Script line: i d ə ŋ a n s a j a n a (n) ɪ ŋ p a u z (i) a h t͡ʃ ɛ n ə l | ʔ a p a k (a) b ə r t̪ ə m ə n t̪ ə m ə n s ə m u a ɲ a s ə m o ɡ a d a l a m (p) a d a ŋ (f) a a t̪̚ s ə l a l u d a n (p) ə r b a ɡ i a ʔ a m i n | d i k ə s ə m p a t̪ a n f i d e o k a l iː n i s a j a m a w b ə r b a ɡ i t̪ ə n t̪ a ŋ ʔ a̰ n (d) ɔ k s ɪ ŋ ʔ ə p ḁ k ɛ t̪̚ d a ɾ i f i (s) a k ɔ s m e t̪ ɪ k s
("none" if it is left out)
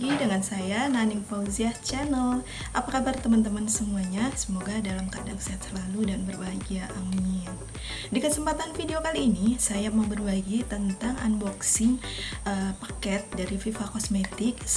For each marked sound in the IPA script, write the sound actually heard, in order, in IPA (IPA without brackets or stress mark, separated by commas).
n, i, a, k, s, b, b, f